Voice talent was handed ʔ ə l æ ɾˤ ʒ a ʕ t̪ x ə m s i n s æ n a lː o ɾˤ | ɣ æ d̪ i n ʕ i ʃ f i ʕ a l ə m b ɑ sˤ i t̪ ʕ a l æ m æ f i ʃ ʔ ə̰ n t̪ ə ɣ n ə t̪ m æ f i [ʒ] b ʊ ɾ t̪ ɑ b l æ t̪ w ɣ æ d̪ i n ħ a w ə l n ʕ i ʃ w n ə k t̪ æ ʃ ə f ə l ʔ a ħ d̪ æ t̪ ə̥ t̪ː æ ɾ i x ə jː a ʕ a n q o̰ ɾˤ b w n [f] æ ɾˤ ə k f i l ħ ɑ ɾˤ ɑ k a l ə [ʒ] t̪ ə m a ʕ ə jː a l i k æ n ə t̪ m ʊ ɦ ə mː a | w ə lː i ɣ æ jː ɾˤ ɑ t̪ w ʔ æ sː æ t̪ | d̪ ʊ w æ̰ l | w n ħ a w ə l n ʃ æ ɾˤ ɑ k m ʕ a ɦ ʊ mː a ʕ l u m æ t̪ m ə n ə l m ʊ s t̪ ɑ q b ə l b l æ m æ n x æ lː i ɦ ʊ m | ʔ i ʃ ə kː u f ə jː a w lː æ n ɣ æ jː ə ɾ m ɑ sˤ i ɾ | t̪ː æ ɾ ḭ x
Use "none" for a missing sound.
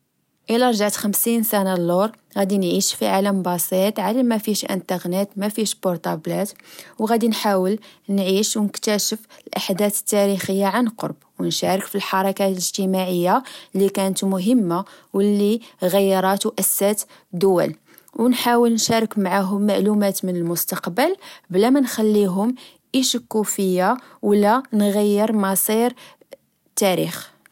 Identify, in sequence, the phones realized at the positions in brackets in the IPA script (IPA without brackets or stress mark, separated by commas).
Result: ʃ, ʃ, ʒ